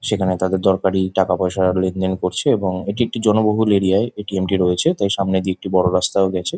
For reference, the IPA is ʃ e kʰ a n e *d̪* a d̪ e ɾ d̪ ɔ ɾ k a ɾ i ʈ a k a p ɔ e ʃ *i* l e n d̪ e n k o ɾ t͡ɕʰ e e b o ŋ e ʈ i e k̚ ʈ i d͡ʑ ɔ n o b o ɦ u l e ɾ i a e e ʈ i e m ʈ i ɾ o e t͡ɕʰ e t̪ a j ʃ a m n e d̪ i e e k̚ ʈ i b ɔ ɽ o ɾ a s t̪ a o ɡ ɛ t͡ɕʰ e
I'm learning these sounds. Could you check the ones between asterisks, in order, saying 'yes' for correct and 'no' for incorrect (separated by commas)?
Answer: no, no